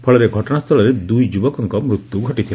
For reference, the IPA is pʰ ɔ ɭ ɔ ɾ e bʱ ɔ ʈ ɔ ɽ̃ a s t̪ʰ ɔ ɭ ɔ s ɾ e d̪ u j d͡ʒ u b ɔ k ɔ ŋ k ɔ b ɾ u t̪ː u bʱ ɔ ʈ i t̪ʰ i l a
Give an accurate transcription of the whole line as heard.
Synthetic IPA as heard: pʰ ɔ ɭ ɔ ɾ e ɡʱ ɔ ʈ ɔ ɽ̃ a s t̪ʰ ɔ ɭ ɔ ɾ e d̪ u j d͡ʒ u b ɔ k ɔ ŋ k ɔ m ɾ u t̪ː u ɡʱ ɔ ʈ i t̪ʰ i l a